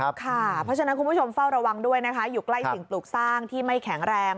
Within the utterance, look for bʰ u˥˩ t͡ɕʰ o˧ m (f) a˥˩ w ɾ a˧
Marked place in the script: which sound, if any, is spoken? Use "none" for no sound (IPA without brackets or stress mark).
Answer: f